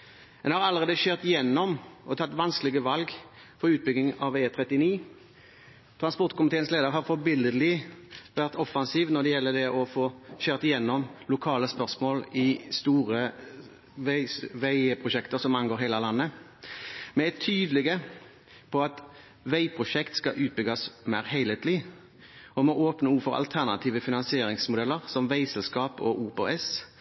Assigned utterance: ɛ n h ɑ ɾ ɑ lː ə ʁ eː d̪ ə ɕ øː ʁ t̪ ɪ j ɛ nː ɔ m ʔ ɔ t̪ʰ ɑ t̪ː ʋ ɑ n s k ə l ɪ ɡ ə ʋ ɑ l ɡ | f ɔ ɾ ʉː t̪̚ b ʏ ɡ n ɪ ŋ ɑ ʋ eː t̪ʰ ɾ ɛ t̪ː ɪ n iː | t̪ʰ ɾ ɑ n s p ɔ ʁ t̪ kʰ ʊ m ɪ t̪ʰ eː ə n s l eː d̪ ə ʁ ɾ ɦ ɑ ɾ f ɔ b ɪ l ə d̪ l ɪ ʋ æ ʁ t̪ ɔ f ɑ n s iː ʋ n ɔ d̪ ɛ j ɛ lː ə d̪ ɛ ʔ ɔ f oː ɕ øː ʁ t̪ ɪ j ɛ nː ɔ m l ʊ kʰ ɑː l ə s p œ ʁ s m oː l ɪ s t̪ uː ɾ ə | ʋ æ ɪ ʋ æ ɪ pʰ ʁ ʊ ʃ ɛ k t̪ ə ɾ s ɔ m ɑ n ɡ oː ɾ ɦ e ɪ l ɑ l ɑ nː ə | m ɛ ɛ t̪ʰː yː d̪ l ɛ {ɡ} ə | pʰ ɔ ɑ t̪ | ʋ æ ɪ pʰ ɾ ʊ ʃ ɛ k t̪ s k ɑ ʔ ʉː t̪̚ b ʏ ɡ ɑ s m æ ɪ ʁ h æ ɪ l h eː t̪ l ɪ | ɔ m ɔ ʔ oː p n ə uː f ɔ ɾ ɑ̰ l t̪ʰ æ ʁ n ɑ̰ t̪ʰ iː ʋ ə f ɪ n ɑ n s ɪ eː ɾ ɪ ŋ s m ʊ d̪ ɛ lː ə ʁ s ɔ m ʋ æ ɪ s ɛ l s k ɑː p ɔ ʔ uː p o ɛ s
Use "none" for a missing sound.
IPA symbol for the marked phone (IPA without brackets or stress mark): ɡ